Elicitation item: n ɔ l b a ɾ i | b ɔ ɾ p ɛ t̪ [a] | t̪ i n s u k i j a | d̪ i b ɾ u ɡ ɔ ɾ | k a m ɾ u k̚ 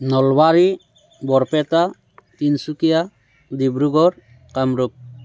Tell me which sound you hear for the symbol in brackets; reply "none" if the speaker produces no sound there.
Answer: a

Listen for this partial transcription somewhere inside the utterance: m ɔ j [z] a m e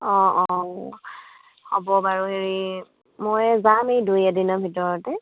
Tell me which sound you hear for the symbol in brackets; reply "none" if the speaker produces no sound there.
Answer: z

